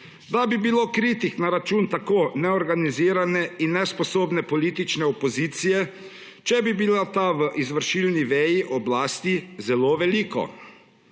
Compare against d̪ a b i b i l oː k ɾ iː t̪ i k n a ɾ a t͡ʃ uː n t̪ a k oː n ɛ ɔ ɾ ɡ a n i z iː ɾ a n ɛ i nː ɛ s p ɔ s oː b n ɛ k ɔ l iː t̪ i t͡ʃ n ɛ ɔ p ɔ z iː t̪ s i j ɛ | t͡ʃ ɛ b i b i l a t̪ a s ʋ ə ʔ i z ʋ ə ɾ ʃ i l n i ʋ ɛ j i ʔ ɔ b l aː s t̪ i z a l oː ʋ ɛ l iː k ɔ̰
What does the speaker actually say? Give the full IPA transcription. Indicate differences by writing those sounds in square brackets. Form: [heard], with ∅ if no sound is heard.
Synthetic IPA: d̪ a b i b i l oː k ɾ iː t̪ i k n a ɾ a t͡ʃ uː n t̪ a k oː n ɛ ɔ ɾ ɡ a n i z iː ɾ a n ɛ i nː ɛ s p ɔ s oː b n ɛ [p] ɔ l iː t̪ i t͡ʃ n ɛ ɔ p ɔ z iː t̪ s i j ɛ | t͡ʃ ɛ b i b i l a t̪ a [∅] ʋ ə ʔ i z ʋ ə ɾ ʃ i l n i ʋ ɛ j i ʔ ɔ b l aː s t̪ i z [ɛ] l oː ʋ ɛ l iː k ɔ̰